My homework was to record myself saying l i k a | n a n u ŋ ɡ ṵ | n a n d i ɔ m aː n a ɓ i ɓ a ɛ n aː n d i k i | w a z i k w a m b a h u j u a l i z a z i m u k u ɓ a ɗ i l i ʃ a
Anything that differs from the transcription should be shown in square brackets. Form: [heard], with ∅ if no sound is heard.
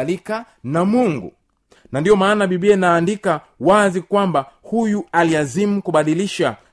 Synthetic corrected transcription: l i k a | n a [m] u ŋ ɡ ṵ | n a n d i ɔ m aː n a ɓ i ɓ [i] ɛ n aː n d i k [a] | w a z i k w a m b a h u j u a l i [∅] a z i m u k u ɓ a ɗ i l i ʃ a